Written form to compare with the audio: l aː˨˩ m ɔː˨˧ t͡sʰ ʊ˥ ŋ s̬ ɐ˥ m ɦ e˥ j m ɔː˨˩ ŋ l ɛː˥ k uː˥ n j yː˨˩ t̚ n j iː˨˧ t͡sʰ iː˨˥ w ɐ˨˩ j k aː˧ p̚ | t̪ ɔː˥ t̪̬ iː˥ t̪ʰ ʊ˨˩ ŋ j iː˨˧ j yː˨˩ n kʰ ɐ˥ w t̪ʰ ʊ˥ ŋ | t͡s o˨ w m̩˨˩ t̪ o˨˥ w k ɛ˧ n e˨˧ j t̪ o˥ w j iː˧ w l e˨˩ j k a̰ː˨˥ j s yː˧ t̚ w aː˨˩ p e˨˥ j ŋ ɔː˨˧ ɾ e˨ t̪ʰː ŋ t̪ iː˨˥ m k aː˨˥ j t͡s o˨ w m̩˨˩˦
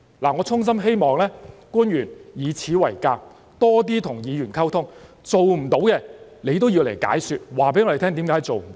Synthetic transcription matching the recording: l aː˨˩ ŋ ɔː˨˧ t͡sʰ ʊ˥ ŋ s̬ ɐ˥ m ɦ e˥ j m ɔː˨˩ ŋ l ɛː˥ k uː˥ n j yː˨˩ n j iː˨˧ t͡sʰ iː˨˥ w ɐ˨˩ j k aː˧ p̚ | t̪ ɔː˥ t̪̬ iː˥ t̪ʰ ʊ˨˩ ŋ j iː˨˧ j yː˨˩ n kʰ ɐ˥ w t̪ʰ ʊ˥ ŋ | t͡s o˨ w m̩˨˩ t̪ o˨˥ w k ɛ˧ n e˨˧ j t̪ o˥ w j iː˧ w l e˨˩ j k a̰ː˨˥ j s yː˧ t̚ w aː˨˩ p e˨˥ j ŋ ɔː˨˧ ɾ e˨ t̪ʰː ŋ t̪ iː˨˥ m k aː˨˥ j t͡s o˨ w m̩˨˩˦